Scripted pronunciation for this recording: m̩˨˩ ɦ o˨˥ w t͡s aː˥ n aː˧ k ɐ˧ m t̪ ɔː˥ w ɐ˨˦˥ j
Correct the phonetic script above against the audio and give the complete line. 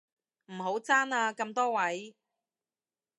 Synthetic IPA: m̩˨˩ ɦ o˨˥ w t͡s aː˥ n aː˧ k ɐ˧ m t̪ ɔː˥ w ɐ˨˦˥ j